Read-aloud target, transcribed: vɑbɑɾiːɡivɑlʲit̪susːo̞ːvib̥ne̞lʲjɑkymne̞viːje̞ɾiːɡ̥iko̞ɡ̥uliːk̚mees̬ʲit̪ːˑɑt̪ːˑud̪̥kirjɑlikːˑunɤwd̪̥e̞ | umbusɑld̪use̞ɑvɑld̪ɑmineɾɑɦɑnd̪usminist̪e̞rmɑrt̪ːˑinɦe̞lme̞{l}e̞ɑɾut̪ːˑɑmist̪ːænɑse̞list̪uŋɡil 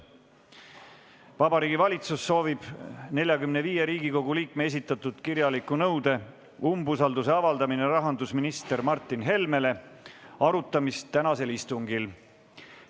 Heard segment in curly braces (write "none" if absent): l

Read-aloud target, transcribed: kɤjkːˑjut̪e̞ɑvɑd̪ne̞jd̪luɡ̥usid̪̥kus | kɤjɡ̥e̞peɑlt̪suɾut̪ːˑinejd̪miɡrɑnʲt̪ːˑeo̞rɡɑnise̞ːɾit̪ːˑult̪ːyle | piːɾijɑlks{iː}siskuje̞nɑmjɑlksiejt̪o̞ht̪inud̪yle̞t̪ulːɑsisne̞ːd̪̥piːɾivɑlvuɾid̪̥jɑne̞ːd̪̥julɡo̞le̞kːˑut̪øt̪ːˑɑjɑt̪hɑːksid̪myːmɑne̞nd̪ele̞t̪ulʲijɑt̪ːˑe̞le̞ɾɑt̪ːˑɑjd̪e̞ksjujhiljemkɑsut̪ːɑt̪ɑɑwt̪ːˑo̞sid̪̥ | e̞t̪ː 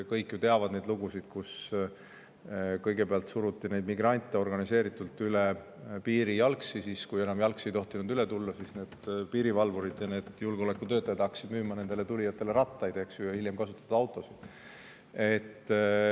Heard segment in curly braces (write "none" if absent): i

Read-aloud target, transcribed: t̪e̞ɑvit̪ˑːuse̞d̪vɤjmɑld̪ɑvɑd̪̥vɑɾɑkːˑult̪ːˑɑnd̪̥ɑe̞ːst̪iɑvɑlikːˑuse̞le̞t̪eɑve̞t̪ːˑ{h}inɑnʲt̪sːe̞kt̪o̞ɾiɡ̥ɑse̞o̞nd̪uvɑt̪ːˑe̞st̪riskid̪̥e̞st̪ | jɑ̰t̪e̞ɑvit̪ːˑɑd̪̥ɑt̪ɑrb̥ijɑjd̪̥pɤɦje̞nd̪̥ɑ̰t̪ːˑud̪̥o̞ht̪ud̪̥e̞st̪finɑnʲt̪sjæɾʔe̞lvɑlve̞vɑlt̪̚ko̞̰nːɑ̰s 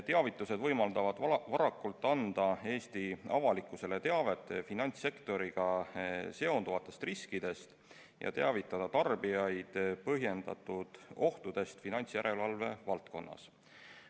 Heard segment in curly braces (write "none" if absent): f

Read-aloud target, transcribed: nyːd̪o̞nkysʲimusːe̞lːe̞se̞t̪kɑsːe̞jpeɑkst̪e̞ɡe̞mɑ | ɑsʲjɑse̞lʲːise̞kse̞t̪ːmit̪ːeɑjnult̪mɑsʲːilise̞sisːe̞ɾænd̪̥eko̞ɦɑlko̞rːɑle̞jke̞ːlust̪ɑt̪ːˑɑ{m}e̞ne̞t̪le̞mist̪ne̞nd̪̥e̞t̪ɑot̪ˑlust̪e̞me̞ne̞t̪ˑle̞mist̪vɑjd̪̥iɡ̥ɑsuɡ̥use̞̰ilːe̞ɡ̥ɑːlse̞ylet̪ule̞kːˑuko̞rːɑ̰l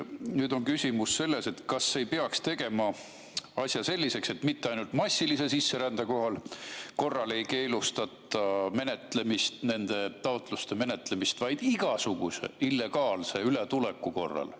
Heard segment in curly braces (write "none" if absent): m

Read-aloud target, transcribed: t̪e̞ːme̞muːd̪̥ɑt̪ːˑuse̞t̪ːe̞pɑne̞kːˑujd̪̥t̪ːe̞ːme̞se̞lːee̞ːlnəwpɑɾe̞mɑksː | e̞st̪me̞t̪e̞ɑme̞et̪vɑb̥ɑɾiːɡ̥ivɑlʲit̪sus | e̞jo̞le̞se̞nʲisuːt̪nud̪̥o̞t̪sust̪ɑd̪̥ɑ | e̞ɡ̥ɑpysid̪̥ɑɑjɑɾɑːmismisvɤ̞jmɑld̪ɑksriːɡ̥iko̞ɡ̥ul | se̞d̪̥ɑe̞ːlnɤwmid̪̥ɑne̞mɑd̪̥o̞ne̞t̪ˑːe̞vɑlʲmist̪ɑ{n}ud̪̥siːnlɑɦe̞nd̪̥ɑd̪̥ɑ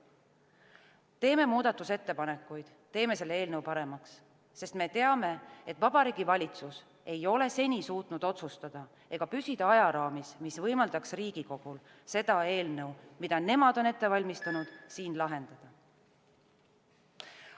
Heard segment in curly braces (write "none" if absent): n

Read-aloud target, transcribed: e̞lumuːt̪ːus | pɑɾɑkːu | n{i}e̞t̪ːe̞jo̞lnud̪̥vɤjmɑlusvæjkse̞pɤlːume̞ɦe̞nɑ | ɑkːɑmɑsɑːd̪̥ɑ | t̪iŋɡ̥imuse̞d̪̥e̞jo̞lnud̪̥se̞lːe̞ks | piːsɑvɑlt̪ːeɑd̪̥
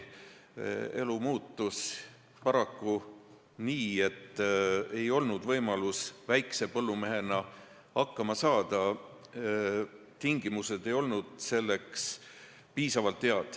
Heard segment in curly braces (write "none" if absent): iː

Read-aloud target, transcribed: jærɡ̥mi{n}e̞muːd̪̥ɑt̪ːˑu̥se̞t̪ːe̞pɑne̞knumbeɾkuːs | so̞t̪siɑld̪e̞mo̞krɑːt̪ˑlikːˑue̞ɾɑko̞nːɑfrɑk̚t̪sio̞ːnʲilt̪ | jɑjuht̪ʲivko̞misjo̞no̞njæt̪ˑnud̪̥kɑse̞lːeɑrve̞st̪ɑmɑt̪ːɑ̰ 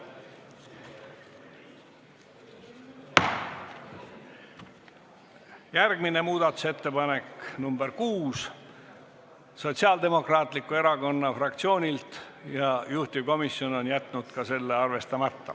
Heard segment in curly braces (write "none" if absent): n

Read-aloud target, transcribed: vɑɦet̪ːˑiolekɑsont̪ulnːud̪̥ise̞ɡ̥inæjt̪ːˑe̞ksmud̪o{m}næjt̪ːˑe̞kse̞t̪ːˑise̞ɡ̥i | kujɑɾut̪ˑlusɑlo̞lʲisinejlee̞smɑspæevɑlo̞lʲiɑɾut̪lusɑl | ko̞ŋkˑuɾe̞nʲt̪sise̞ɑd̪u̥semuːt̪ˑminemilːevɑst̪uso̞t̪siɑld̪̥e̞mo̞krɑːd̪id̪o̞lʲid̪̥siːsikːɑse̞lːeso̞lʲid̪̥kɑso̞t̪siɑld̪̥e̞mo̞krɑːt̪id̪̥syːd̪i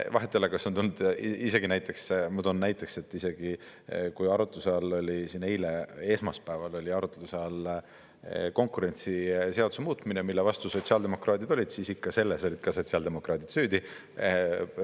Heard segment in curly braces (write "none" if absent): n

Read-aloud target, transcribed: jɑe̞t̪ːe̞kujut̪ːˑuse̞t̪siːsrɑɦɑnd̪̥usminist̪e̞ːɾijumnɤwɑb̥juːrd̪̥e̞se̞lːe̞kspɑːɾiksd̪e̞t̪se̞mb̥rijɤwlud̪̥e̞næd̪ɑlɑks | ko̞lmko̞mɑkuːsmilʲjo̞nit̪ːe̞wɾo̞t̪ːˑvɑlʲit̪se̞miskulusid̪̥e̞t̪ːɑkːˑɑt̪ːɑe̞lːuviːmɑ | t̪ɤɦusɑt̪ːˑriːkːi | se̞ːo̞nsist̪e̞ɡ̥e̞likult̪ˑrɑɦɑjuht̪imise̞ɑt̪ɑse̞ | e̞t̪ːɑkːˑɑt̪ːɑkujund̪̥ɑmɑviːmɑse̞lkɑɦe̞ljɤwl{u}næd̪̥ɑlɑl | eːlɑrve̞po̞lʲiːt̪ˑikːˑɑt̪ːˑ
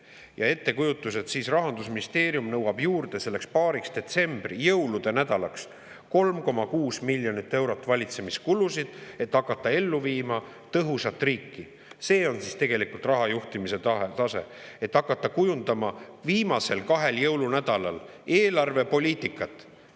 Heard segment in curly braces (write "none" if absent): u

